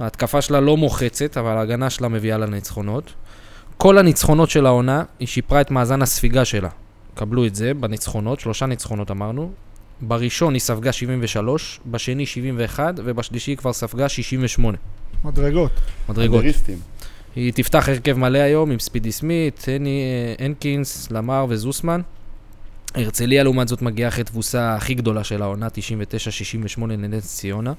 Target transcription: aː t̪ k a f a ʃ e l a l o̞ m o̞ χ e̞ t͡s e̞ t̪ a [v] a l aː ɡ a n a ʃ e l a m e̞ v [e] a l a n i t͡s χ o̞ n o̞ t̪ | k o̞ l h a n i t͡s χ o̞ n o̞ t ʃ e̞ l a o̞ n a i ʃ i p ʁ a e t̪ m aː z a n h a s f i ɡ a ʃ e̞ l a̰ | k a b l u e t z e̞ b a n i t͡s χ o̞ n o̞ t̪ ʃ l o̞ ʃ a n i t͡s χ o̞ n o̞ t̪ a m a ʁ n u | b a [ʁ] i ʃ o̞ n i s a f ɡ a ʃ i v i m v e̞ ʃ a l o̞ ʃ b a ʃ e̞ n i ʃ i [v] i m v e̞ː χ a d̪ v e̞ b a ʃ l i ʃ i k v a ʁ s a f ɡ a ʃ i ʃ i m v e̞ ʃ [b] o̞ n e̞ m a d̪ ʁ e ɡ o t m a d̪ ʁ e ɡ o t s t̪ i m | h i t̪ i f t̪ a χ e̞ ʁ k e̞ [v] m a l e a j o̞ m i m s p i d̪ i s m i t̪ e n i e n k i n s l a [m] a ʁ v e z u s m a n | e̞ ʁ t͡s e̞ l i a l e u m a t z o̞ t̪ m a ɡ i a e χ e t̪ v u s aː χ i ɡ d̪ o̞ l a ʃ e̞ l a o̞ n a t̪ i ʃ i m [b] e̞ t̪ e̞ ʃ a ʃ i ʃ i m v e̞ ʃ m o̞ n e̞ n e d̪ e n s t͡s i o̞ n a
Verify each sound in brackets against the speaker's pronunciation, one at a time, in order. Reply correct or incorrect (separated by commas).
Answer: correct, incorrect, correct, correct, incorrect, correct, correct, incorrect